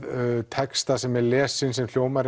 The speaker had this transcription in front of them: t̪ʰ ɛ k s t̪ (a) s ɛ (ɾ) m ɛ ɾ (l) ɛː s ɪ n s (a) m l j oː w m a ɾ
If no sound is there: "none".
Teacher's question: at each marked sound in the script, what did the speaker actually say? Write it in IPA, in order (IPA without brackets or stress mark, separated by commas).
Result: a, none, l, ɛ